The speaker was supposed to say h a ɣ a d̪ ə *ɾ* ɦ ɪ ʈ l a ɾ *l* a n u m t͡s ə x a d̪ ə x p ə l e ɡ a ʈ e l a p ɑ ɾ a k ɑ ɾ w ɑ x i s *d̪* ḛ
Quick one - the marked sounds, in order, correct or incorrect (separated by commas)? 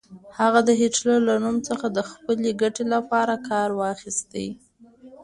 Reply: incorrect, correct, incorrect